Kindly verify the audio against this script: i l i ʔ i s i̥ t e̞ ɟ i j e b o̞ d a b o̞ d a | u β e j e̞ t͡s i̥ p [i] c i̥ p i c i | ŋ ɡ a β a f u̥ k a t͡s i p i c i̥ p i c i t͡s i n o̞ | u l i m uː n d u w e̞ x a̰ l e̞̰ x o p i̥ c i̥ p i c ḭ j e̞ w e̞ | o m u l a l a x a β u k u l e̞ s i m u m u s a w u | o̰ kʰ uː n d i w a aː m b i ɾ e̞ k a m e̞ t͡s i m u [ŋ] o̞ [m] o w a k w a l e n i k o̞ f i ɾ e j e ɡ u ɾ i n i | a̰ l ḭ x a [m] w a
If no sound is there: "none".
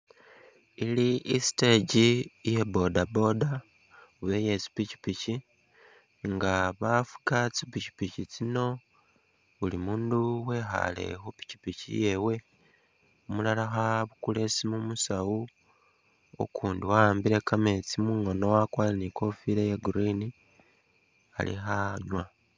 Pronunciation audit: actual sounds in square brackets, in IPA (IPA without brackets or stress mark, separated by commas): i, ŋ, n, ɲ